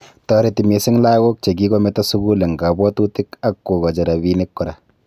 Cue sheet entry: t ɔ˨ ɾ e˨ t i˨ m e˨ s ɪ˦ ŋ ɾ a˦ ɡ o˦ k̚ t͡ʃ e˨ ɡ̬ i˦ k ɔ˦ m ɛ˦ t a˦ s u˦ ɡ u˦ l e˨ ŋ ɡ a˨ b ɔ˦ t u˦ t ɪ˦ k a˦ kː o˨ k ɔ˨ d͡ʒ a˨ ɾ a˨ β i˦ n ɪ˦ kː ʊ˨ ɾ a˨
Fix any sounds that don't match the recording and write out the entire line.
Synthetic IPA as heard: t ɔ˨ ɾ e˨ t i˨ m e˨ s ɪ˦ ŋ l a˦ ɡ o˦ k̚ t͡ʃ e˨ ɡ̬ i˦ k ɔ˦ m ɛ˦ t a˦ s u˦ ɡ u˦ l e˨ ŋ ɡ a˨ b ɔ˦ t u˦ t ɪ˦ k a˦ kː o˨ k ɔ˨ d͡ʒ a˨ ɾ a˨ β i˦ n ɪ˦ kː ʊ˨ ɾ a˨

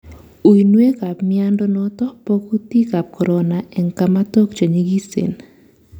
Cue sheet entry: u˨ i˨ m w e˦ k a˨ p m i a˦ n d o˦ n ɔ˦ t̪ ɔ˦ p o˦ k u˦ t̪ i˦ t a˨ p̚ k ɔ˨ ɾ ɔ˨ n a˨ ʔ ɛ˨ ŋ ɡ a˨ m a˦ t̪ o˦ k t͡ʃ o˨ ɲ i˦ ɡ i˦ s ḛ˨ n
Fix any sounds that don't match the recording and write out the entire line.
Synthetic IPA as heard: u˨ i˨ n w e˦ k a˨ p m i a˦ n d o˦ n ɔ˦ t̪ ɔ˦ p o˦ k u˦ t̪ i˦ k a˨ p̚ k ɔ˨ ɾ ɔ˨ n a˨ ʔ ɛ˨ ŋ k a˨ m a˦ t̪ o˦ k t͡ʃ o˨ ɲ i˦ ɡ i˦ s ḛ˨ n

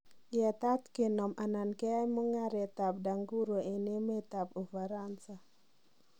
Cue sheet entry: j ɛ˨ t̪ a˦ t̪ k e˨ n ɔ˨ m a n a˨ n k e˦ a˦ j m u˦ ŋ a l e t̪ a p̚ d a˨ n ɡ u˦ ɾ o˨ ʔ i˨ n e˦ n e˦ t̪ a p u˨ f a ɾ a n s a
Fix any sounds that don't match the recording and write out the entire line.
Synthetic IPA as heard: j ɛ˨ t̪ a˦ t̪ k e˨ n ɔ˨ m a n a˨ n k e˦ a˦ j m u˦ ŋ a ɾ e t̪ a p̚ d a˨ ŋ ɡ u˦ ɾ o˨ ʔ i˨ n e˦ m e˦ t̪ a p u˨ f a ɾ a n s a

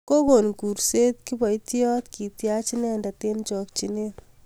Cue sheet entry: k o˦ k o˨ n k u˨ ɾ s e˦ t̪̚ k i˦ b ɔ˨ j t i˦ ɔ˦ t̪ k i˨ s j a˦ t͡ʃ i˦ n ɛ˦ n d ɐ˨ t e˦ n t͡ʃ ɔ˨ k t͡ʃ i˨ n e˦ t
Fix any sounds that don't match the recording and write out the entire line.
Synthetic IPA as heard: k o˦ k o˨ n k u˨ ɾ s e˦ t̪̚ k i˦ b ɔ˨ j t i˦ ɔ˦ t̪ k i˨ t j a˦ t͡ʃ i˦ n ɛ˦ n d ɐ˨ t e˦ n t͡ʃ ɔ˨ k t͡ʃ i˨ n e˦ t

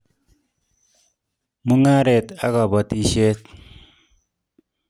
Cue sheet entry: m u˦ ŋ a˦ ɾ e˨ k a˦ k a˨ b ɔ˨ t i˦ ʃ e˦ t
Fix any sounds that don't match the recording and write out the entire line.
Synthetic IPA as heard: m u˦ ŋ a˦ ɾ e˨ t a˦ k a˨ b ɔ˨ t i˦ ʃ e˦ t

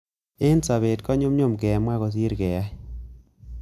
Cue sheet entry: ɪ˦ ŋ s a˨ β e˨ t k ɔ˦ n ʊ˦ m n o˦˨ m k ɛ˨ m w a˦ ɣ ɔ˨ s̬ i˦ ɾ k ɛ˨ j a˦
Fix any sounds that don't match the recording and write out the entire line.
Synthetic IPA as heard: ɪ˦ n s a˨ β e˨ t k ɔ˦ ɲ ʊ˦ m ɲ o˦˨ m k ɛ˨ m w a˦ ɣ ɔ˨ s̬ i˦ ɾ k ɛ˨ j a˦

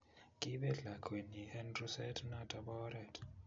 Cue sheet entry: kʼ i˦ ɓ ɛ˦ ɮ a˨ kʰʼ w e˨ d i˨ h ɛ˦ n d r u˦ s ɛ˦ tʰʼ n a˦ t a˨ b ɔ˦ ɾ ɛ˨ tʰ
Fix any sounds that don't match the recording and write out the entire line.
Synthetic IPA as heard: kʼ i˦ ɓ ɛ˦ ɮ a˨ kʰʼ w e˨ n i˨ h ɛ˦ n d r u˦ s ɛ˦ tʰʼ n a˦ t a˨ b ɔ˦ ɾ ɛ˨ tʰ

